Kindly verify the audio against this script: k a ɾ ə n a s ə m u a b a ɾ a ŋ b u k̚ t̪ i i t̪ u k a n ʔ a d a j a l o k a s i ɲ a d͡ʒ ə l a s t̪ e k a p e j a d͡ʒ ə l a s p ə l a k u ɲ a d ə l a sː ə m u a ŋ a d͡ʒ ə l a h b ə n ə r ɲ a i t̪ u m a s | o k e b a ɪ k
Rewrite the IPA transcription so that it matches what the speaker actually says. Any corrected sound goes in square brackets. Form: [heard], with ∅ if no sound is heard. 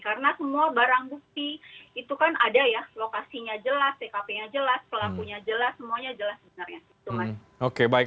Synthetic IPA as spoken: k a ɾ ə n a s ə m u a b a ɾ a ŋ b u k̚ t̪ i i t̪ u k a n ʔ a d a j a l o k a s i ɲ a d͡ʒ ə l a s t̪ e k a p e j a d͡ʒ ə l a s p ə l a k u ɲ a [d͡ʒ] ə l a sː ə m u a [ɲ] a d͡ʒ ə l a [s] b ə n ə r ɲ a i t̪ u m a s | o k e b a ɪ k